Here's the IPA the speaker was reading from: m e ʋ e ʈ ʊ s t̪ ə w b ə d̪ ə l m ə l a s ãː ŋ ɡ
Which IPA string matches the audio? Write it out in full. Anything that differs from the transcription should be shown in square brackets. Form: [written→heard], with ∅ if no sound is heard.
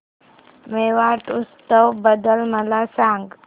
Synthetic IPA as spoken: m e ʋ [e→a] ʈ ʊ s t̪ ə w b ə d̪ ə l m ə l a s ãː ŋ ɡ